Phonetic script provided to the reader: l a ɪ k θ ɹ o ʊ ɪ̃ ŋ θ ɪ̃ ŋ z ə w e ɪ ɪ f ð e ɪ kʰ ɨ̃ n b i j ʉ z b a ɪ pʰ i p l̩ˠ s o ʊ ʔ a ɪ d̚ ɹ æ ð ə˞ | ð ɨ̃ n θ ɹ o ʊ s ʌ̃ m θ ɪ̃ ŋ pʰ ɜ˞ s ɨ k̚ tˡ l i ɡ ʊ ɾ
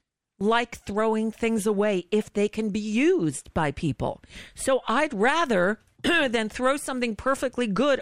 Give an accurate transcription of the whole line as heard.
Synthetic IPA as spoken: l a ɪ k θ ɹ o ʊ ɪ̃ ŋ θ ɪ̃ ŋ z ə w e ɪ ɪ f ð e ɪ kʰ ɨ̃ n b i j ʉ z b a ɪ pʰ i p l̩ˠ s o ʊ ʔ a ɪ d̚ ɹ æ ð ə˞ | ð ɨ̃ n θ ɹ o ʊ s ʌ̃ m θ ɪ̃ ŋ pʰ ɜ˞ f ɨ k̚ tˡ l i ɡ ʊ ɾ